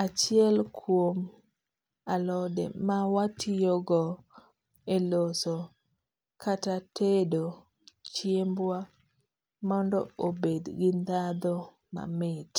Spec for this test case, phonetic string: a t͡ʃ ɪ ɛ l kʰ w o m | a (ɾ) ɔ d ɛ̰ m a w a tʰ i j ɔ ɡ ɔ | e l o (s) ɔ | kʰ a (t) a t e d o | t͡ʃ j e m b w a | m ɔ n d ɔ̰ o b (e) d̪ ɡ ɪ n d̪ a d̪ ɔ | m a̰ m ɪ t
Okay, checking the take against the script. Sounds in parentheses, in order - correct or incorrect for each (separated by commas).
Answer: incorrect, correct, correct, correct